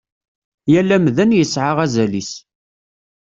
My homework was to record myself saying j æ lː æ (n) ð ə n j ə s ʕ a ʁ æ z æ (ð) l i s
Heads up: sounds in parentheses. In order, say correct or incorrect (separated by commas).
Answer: incorrect, incorrect